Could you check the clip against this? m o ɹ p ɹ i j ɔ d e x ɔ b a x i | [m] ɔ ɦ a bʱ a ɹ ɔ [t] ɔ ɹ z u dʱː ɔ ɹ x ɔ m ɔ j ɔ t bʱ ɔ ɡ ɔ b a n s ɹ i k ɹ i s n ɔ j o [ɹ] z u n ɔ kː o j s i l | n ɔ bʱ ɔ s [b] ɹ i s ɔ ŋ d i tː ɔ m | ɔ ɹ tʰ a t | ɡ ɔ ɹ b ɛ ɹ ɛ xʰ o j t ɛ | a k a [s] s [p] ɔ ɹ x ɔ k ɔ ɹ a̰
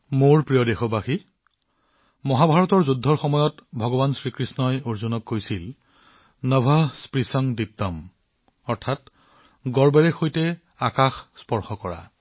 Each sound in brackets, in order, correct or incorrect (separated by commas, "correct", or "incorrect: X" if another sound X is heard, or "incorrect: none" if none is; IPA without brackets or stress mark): correct, correct, correct, incorrect: p, incorrect: x, correct